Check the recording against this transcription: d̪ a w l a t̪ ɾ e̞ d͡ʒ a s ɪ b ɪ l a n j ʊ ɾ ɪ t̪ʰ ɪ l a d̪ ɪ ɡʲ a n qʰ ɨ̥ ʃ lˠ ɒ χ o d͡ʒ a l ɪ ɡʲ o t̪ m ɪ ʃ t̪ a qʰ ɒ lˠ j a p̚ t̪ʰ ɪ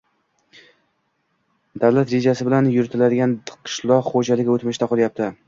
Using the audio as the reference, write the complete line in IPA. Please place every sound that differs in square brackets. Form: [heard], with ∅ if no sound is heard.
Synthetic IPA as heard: d̪ a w l a t̪ ɾ e̞ d͡ʒ a s ɪ b ɪ l a n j ʊ ɾ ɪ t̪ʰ ɪ l a d̪ ɪ ɡʲ a n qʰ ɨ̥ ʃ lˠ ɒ χ o d͡ʒ a l ɪ ɡʲ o t̪ m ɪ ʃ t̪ a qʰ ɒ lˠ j a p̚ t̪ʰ ɪ